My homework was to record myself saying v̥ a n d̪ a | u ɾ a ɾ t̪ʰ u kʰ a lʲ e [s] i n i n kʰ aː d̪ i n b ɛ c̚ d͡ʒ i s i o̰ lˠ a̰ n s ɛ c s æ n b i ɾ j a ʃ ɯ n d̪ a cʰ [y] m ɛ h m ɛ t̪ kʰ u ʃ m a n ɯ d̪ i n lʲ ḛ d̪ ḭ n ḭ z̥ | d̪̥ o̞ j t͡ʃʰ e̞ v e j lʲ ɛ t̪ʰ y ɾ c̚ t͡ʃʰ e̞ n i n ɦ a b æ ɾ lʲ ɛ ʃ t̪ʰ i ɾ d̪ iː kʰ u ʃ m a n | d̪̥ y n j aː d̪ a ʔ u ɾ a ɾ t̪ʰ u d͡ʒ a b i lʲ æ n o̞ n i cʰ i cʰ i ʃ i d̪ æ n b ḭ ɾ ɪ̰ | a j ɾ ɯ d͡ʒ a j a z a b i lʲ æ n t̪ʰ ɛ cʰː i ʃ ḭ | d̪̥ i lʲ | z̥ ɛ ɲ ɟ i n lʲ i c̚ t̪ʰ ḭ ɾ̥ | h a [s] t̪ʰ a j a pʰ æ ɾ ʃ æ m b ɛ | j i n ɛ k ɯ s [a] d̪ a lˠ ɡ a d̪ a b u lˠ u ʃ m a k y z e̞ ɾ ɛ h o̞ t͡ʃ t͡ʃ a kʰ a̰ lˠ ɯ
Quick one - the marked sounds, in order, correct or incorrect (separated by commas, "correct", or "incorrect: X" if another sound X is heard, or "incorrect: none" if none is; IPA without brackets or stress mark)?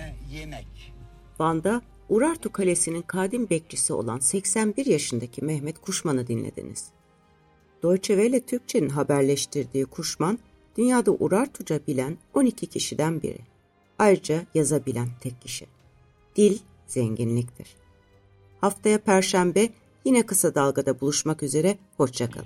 correct, incorrect: i, incorrect: f, correct